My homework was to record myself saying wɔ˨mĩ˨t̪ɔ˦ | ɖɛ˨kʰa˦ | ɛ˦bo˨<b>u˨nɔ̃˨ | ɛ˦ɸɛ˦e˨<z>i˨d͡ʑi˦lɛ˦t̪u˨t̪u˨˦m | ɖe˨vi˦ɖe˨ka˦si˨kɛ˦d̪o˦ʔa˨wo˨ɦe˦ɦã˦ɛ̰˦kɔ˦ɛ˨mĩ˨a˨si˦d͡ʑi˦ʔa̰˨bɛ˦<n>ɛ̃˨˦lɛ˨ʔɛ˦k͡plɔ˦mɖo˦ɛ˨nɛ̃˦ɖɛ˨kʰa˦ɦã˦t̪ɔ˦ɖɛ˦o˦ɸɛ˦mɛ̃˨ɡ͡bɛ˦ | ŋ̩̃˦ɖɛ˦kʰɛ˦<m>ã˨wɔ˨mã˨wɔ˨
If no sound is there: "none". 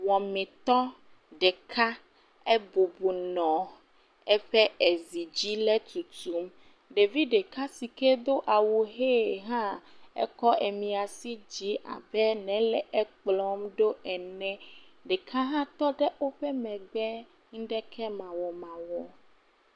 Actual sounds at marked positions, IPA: b, z, n, m

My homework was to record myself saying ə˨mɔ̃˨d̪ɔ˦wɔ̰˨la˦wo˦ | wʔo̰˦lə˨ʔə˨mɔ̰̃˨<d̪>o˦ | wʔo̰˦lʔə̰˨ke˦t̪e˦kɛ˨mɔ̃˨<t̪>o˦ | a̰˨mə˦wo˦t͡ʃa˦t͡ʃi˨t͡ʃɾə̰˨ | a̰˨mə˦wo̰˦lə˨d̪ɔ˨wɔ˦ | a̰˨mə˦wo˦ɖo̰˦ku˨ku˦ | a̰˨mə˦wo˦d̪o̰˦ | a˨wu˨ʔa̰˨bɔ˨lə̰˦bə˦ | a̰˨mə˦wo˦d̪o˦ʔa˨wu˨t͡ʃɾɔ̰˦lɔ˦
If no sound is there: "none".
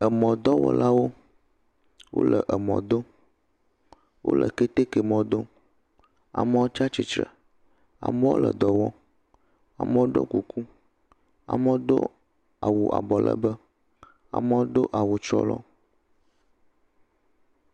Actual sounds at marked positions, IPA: d̪, d̪

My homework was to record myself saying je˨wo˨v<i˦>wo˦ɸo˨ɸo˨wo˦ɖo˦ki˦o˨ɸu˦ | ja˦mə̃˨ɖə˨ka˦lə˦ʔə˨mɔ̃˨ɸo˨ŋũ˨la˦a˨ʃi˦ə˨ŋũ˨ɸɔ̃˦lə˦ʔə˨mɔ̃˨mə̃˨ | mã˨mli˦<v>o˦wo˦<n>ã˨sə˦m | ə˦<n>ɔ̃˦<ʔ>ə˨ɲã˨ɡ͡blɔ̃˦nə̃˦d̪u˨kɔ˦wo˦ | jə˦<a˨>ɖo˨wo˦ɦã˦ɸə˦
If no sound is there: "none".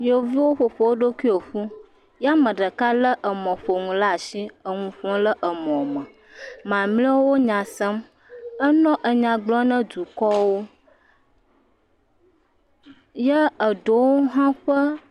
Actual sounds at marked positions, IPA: i˦, w, ɲ, n, ʔ, ə˨

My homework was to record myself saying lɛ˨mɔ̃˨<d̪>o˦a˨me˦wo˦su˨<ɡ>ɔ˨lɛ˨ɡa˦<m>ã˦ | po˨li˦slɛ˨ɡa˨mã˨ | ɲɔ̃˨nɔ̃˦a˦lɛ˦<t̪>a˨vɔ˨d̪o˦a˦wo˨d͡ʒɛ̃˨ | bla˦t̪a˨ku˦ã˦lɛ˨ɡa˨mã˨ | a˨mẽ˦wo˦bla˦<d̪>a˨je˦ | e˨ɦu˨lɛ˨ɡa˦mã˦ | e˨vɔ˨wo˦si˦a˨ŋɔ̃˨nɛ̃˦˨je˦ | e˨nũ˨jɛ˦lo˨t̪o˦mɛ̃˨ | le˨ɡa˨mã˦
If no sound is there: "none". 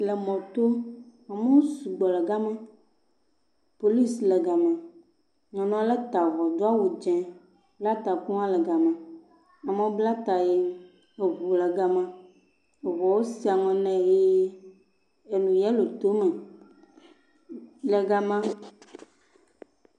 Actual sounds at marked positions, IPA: t̪, ɡ͡b, m, t̪, t̪

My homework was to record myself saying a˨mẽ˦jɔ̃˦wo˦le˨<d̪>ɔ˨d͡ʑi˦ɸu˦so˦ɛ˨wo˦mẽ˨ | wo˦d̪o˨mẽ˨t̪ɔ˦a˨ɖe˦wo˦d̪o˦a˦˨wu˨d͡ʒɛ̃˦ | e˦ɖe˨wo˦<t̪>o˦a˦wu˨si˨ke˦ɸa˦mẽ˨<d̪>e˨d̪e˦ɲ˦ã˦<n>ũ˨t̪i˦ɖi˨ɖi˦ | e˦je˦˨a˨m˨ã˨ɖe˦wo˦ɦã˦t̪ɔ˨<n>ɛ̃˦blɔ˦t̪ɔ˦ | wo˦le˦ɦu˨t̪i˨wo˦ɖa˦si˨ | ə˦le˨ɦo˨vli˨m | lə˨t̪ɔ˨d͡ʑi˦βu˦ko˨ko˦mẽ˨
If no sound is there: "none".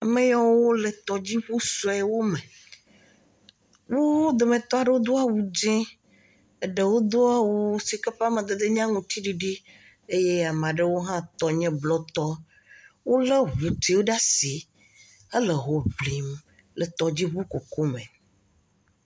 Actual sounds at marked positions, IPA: t̪, d̪, d̪, ŋ, ɲ

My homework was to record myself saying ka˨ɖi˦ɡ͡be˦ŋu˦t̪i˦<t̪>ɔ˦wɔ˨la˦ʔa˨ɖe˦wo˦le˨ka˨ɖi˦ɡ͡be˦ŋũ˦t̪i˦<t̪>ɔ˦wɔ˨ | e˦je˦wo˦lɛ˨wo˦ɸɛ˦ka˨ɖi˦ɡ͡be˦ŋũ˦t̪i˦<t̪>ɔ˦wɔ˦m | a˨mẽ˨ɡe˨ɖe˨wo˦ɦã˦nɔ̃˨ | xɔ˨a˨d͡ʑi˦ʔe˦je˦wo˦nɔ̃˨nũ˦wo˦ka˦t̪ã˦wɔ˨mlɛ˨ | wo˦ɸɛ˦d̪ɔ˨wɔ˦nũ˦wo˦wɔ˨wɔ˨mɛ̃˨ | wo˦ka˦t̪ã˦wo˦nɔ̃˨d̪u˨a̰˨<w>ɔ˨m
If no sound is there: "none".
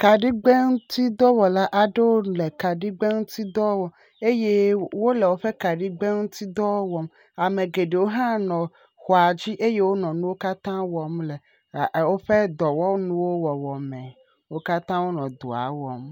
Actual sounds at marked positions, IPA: d̪, d̪, d̪, w

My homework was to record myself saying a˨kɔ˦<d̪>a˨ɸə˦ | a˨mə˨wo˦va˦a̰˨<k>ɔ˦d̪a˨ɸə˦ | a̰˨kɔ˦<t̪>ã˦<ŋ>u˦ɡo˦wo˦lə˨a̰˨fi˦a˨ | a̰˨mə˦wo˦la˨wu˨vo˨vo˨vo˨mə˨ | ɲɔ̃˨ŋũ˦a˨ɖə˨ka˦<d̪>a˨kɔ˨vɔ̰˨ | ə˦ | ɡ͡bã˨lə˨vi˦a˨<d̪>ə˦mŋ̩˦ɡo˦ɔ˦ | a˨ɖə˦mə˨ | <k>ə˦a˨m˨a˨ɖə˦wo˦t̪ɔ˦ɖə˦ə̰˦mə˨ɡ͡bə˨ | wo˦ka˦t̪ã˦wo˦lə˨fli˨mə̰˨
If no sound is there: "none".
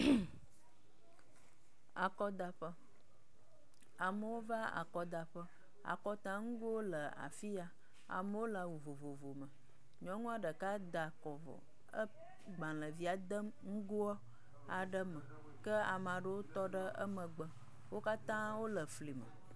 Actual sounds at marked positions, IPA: d̪, k, t̪, ŋ, d̪, d̪, k

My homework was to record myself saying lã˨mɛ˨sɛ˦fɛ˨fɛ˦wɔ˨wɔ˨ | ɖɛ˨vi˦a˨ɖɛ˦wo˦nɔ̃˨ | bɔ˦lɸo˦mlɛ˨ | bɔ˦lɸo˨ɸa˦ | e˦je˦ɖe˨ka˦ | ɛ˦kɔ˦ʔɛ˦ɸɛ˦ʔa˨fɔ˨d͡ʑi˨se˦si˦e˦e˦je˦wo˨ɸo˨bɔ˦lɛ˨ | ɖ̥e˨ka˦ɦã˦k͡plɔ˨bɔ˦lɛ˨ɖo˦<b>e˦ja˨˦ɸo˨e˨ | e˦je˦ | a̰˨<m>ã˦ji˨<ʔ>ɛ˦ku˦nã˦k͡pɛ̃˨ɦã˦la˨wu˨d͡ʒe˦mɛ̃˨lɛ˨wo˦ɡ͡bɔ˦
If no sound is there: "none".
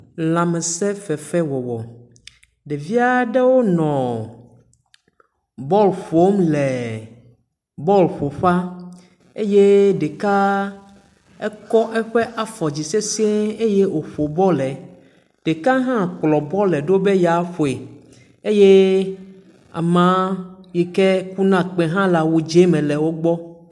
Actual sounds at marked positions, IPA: b, m, k

